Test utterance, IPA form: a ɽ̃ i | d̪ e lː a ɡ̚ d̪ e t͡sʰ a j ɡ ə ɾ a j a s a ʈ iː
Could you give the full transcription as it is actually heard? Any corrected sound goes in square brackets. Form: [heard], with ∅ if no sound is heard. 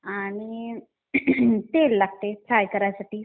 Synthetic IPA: a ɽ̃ i | [t̪] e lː a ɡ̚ [t̪] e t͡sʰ a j [k] ə ɾ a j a s a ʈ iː